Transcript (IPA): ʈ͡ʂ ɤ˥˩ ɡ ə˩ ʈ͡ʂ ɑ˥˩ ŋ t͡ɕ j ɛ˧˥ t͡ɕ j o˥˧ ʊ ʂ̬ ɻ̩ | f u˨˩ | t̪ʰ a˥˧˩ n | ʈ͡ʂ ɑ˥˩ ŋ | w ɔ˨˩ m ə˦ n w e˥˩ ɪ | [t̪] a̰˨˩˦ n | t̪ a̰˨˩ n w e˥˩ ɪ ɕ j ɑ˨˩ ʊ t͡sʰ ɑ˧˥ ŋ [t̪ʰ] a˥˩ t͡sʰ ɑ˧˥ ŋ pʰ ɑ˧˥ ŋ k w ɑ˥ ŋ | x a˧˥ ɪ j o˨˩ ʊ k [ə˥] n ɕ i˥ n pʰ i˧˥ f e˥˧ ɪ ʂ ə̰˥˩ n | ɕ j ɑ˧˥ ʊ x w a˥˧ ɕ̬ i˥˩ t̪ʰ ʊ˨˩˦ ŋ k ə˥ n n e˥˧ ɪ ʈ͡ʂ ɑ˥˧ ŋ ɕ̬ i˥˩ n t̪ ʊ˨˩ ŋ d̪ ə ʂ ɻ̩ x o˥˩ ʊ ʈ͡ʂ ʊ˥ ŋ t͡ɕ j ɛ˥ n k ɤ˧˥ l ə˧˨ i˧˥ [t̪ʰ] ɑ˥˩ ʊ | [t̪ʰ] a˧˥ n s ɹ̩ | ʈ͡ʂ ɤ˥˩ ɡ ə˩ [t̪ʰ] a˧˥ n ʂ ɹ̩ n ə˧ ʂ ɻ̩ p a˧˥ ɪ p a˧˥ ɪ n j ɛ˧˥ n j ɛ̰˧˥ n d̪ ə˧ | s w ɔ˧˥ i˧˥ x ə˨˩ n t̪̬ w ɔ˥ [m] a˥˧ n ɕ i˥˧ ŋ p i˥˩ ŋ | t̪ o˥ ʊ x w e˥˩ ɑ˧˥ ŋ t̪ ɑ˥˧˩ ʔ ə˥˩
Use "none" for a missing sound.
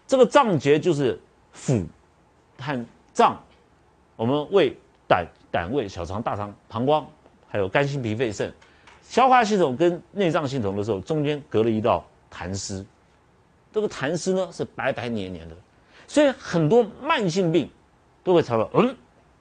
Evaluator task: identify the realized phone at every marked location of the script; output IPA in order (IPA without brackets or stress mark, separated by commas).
t̪, t̪, a˥, t̪, t̪ʰ, t̪ʰ, m